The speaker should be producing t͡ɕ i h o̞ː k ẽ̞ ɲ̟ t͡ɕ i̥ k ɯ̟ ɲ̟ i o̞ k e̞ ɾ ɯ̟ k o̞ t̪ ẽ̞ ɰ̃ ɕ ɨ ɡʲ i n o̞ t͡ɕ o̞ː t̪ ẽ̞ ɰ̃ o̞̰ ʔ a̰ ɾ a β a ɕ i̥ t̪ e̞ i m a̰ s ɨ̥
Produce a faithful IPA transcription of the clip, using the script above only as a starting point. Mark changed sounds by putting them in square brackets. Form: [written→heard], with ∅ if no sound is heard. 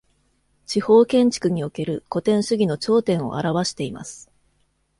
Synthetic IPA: t͡ɕ i h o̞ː k ẽ̞ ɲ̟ t͡ɕ i̥ k ɯ̟ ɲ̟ i o̞ k e̞ ɾ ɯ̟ k o̞ t̪ ẽ̞ ɰ̃ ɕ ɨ ɡʲ i n o̞ t͡ɕ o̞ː t̪ ẽ̞ ɰ̃ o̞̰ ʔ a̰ ɾ a β a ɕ i̥ t̪ e̞ i m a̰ s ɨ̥

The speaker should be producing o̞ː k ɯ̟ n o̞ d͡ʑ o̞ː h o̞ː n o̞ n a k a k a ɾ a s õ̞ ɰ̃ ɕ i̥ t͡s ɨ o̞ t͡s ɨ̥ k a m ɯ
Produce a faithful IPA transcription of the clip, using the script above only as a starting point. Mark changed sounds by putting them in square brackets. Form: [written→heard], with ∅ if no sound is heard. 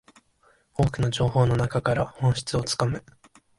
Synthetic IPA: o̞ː k ɯ̟ n o̞ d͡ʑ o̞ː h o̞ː n o̞ n a k a k a ɾ a [s→h] õ̞ ɰ̃ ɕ i̥ t͡s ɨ o̞ t͡s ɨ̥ k a m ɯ

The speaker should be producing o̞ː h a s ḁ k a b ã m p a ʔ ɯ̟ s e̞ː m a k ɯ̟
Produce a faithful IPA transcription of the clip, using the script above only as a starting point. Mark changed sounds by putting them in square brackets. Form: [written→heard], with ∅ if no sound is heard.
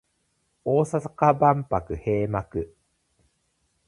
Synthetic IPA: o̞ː [h→s] a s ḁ k a b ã m p a [ʔ→k] ɯ̟ [s→h] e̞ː m a k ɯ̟

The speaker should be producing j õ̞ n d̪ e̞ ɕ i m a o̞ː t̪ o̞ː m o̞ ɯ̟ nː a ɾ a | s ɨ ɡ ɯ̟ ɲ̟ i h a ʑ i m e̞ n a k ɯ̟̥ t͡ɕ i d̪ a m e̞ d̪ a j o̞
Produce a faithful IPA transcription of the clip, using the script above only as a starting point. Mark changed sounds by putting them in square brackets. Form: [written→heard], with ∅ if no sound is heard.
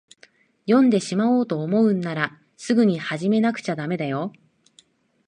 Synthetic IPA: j õ̞ n d̪ e̞ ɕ i m a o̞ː t̪ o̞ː m o̞ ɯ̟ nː a ɾ a | s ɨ ɡ ɯ̟ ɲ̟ i h a ʑ i m e̞ n a k ɯ̟̥ t͡ɕ [i→a] d̪ a m e̞ d̪ a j o̞

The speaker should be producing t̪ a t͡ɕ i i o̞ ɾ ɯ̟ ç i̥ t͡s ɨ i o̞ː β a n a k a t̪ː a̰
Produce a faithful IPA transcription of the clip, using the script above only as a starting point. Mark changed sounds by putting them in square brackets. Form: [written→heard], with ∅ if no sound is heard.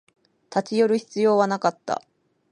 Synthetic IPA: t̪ a t͡ɕ i [i→j] o̞ ɾ ɯ̟ ç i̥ t͡s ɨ [i→j] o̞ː β a n a k a t̪ː a̰

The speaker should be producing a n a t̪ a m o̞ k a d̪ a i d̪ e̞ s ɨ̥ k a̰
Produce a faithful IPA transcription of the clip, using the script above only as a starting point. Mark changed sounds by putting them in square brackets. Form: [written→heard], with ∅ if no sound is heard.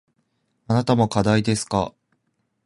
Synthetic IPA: a n a t̪ a m o̞ k a d̪ a i d̪ e̞ s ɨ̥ k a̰

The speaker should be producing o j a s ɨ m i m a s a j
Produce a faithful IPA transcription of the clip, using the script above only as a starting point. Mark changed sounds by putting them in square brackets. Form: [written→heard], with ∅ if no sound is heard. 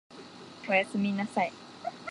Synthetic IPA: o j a s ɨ m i [m→n] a s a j

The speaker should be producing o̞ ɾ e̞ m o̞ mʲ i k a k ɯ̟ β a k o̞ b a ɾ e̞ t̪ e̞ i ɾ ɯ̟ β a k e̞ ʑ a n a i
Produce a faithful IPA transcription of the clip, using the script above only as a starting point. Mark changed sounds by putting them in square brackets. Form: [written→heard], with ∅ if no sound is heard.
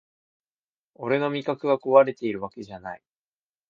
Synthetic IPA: o̞ ɾ e̞ [m→n] o̞ mʲ i k a k ɯ̟ β a k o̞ [b→β] a ɾ e̞ t̪ e̞ i ɾ ɯ̟ β a k e̞ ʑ a n a i

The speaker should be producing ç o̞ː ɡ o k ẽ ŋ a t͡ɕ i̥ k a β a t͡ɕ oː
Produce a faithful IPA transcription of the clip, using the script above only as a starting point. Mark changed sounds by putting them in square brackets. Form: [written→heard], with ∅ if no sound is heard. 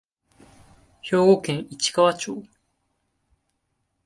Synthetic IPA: ç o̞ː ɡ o k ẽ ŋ [a→i] t͡ɕ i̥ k a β a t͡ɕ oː

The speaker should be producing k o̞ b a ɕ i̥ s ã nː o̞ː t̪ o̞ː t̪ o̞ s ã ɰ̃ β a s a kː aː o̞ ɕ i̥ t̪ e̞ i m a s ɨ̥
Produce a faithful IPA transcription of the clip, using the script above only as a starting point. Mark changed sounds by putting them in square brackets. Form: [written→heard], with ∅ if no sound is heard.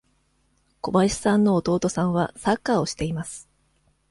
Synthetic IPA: k o̞ b a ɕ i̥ s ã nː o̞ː t̪ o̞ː t̪ o̞ s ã ɰ̃ β a s a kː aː o̞ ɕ i̥ t̪ e̞ i m a s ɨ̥

